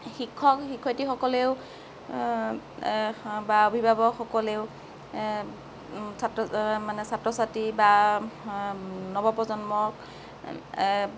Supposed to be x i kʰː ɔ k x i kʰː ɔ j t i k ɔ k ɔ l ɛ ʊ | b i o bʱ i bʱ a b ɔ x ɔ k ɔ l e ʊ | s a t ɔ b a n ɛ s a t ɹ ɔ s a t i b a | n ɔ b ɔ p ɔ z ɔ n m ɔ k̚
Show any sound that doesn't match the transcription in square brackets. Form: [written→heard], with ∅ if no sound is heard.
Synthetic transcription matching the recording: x i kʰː ɔ k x i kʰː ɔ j t i [k→x] ɔ k ɔ l [ɛ→e] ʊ | b [i→a] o bʱ i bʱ a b ɔ x ɔ k ɔ l e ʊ | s a t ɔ [b→m] a n ɛ s a t ɹ ɔ s a t i b a | n ɔ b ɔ p ɔ z ɔ n m ɔ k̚